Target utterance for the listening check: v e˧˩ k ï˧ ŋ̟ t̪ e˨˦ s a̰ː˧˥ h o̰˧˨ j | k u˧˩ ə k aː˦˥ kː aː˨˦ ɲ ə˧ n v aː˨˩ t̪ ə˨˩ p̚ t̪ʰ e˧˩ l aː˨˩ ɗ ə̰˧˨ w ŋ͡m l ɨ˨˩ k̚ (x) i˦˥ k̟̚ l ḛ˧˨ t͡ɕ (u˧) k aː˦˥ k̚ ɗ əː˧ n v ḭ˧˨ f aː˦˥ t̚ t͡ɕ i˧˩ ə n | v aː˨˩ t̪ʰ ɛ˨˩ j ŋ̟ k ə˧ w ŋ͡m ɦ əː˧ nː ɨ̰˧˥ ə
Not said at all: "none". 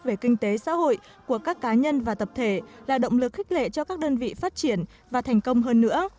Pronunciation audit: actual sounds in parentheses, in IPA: x, ɔ˧

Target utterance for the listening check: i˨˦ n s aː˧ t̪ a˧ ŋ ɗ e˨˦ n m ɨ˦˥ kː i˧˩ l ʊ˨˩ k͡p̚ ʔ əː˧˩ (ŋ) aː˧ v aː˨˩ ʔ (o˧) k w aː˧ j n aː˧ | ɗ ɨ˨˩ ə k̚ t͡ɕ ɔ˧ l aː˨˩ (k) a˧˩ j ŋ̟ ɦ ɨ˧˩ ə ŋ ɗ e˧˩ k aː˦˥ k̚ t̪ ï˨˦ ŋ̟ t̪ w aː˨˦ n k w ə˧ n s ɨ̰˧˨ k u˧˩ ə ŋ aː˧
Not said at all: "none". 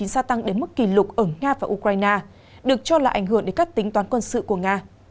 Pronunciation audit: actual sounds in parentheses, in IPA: ŋ, u˧, ʔ

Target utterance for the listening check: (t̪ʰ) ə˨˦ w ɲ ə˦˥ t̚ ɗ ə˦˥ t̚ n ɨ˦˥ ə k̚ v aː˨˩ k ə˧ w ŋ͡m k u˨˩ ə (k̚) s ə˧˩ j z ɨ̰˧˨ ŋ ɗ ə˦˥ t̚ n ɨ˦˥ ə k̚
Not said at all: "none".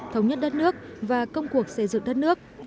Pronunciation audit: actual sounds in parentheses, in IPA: t̪ʰ, k̚

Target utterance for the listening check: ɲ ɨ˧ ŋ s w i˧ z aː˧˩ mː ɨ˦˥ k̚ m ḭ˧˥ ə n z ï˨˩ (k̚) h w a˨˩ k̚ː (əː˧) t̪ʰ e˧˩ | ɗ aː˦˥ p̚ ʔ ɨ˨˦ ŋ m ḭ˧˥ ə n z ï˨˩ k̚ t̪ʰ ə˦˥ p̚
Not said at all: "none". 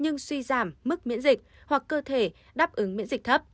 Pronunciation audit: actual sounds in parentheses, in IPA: k̚, əː˧

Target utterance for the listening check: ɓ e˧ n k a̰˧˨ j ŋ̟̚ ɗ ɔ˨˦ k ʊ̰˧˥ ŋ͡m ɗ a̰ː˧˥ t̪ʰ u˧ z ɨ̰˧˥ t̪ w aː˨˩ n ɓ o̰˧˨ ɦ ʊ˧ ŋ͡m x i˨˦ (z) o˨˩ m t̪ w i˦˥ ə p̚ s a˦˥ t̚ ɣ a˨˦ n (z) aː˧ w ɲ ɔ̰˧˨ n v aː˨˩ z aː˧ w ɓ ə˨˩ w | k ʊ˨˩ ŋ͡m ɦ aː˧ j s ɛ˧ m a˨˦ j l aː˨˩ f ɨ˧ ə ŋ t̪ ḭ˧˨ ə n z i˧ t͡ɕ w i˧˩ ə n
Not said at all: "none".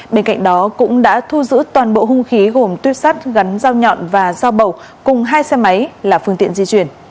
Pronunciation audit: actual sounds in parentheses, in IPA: ɣ, z

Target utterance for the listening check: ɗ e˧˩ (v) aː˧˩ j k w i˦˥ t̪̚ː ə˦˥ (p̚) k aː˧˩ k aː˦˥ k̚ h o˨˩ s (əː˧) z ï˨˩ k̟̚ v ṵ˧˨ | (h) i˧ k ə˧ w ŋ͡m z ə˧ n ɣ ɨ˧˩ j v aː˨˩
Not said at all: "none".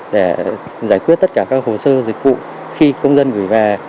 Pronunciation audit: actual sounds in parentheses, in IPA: z, t̚, əː˧, x

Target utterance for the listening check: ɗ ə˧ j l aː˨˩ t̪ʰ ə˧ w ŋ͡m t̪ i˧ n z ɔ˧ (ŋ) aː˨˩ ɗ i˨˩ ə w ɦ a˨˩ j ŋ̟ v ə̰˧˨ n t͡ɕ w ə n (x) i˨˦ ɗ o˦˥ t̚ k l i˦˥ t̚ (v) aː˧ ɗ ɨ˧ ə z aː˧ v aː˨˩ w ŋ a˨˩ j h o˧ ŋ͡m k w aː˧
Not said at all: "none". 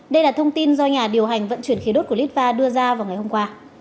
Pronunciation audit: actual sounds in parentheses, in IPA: ɲ, x, v

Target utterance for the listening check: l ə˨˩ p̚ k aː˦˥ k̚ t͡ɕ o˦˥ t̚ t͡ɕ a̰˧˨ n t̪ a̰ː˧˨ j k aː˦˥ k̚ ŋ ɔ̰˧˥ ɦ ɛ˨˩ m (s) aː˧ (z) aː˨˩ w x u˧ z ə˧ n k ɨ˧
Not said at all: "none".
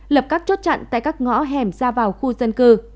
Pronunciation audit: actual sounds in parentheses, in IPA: z, v

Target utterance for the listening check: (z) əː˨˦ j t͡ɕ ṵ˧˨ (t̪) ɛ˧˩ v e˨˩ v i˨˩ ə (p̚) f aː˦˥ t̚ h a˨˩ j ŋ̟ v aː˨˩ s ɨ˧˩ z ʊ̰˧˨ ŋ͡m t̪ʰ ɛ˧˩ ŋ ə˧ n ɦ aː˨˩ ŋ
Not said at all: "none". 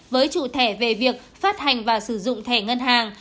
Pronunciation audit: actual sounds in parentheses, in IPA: v, t̪ʰ, k̚

